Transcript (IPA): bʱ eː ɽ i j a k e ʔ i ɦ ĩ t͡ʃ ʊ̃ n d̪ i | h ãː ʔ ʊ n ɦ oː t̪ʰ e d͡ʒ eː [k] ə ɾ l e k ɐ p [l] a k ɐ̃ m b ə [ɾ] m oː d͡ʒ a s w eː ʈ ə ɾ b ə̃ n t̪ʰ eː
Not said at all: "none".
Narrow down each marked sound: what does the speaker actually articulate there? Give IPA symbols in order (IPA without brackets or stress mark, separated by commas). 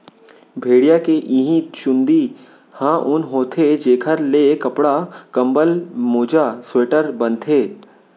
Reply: kʰ, ɽ, l